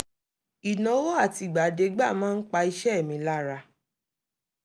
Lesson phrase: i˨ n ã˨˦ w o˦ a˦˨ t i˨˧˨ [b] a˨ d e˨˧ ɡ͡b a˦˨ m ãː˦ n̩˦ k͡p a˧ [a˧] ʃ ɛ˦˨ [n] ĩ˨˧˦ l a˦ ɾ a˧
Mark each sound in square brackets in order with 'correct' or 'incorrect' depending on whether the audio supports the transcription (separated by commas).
incorrect, incorrect, incorrect